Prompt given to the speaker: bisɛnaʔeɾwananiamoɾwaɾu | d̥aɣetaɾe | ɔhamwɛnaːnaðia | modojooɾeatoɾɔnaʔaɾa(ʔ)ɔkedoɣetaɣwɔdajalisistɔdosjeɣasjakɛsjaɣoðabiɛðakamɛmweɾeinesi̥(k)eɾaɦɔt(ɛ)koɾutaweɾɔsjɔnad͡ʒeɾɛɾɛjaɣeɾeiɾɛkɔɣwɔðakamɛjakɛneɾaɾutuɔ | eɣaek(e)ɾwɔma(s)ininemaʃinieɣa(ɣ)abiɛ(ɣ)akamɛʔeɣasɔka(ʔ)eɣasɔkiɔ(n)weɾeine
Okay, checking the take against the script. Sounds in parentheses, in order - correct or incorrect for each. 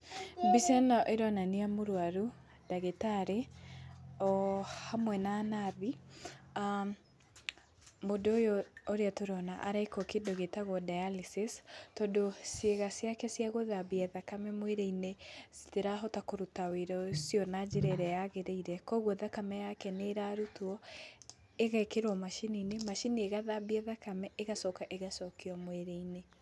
incorrect, incorrect, incorrect, correct, incorrect, incorrect, incorrect, correct, incorrect

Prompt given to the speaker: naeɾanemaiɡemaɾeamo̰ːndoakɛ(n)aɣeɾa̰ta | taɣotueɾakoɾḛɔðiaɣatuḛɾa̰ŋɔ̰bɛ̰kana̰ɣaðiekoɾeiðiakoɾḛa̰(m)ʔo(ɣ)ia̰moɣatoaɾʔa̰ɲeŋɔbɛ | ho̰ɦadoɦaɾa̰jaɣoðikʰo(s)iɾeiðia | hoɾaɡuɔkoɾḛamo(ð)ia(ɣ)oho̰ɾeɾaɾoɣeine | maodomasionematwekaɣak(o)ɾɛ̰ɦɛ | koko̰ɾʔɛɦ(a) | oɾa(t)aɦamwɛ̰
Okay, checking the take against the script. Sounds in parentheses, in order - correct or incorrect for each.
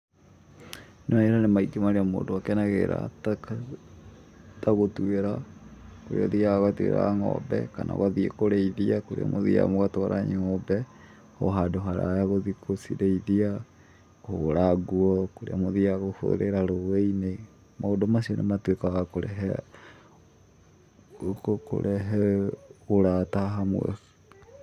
correct, correct, incorrect, correct, correct, correct, correct, incorrect, correct

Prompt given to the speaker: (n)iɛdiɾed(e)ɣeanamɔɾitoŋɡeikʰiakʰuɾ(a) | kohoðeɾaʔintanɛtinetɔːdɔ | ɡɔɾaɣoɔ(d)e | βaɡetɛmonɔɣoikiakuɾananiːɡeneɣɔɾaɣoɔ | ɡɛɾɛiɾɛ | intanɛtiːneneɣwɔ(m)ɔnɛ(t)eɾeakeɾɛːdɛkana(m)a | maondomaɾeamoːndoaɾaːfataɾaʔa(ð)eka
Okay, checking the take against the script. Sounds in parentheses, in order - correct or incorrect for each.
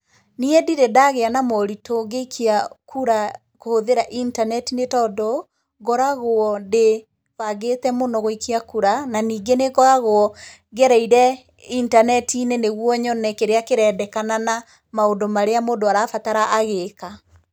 correct, incorrect, correct, correct, incorrect, incorrect, incorrect, incorrect

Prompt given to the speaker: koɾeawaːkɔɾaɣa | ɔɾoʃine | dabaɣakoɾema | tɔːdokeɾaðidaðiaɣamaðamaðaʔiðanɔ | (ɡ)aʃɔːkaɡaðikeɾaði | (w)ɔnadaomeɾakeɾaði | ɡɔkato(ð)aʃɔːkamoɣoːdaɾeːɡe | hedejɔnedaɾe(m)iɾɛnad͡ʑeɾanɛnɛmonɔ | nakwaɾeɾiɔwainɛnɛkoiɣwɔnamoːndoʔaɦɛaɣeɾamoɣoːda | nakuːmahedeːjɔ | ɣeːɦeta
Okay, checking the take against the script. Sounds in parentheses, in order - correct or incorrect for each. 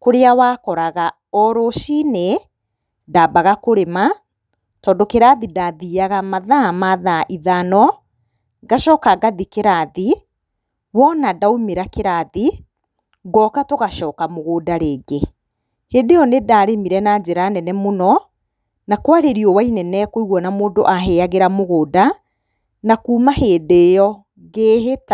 correct, correct, incorrect, correct

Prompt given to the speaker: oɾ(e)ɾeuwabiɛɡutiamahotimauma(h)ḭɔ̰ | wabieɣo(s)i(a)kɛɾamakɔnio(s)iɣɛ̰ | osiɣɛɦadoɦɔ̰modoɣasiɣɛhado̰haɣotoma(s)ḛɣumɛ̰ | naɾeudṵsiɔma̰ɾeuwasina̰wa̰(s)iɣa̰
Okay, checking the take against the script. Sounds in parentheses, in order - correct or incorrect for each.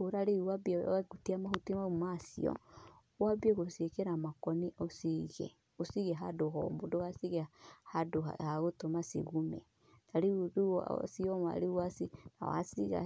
incorrect, incorrect, correct, incorrect, correct, correct, correct

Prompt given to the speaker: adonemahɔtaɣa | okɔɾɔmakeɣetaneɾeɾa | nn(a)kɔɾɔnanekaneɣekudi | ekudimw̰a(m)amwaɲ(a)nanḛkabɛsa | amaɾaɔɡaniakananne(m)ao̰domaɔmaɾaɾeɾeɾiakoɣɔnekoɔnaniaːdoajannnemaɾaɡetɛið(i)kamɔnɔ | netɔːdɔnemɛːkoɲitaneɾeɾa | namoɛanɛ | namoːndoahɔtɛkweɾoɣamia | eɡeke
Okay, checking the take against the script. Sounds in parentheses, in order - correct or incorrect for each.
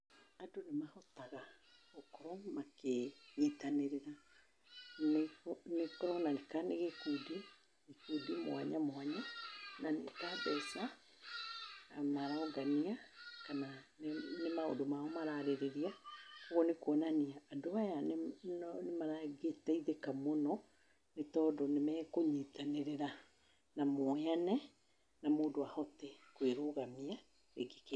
incorrect, incorrect, correct, correct, incorrect

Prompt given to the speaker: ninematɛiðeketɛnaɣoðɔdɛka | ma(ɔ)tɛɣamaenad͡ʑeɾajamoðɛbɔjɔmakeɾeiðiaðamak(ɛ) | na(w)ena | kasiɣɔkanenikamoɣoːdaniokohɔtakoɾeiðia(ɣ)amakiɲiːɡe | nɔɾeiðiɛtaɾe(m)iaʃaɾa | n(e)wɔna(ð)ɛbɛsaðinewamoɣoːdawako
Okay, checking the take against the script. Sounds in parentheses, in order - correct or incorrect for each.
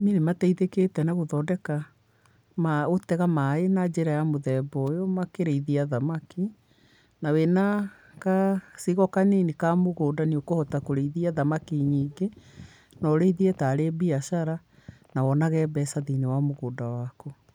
incorrect, incorrect, correct, incorrect, incorrect, incorrect, incorrect

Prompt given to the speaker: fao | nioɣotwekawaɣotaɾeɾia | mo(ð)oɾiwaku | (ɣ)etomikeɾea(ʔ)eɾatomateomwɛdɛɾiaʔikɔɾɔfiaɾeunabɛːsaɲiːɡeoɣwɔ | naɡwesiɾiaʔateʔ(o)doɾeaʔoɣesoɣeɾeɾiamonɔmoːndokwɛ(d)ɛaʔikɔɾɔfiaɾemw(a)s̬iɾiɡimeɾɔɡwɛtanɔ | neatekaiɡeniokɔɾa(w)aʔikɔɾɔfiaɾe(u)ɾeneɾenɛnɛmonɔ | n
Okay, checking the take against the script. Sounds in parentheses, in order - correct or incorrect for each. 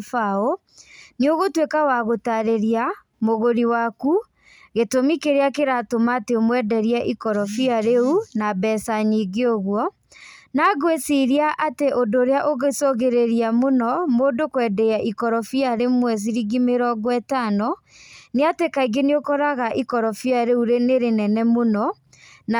incorrect, correct, incorrect, correct, correct, incorrect, incorrect, correct

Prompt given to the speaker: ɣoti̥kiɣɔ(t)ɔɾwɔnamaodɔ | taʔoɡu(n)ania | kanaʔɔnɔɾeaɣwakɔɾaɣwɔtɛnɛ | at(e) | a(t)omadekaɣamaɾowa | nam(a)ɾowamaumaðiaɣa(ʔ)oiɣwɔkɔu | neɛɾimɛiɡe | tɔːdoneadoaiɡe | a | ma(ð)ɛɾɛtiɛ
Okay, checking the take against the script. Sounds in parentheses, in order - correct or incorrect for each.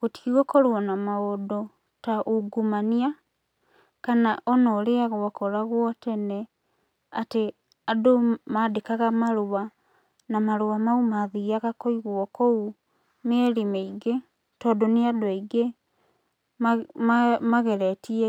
incorrect, incorrect, correct, incorrect, correct, incorrect, incorrect

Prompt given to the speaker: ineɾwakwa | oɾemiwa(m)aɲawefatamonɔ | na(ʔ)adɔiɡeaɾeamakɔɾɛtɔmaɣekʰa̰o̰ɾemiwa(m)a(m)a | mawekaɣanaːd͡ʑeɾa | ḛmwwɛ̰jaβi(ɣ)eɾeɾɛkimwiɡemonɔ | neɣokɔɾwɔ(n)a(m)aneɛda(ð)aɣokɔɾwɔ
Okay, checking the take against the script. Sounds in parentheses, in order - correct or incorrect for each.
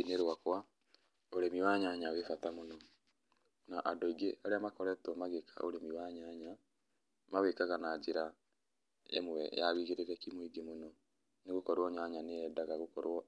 incorrect, correct, incorrect, incorrect, correct, incorrect, incorrect, incorrect

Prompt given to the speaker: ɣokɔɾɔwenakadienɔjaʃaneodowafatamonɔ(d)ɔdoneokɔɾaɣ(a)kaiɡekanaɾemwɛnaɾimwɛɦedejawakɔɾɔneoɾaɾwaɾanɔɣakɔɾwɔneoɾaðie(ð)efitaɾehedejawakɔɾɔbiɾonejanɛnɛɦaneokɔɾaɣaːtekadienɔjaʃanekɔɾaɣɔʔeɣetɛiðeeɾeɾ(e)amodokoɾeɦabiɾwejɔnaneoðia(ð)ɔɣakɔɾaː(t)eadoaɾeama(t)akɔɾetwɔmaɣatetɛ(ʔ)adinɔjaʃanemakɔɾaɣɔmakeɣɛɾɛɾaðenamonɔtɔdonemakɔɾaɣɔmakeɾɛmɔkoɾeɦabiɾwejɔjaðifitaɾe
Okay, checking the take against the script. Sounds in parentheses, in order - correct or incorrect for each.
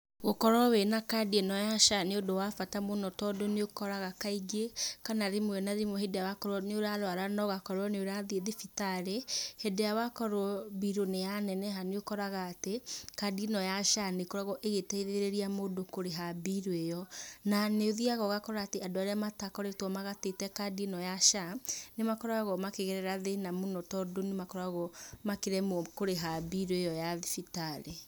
incorrect, correct, correct, incorrect, incorrect, correct, correct, incorrect

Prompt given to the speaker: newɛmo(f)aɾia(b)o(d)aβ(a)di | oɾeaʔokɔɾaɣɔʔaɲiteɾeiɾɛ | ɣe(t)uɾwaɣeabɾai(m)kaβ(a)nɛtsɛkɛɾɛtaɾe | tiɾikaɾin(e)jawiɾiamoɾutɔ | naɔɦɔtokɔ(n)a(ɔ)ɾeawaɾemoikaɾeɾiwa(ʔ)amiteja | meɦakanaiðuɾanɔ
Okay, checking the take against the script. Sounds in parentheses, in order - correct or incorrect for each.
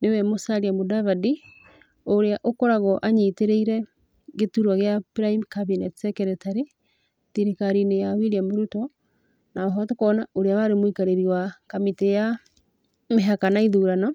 incorrect, incorrect, correct, correct, correct, correct, incorrect, correct, correct, incorrect, incorrect

